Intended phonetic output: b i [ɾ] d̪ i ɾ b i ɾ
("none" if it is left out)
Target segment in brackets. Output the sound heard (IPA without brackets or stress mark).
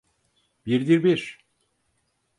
ɾ